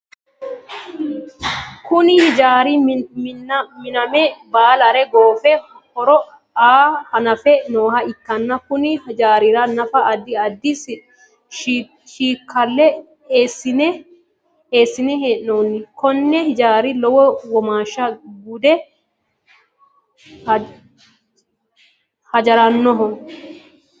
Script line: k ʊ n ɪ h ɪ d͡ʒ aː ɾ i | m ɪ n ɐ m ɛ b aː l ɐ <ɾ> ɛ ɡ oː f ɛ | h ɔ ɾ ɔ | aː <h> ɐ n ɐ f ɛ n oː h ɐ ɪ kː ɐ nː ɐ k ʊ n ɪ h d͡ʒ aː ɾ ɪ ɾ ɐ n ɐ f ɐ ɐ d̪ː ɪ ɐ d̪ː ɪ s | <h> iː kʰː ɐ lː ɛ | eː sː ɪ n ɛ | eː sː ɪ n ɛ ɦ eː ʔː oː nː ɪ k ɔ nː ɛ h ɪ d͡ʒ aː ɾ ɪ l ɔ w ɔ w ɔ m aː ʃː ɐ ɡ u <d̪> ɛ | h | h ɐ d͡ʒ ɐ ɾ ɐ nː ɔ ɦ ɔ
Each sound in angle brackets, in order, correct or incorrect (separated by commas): correct, correct, incorrect, correct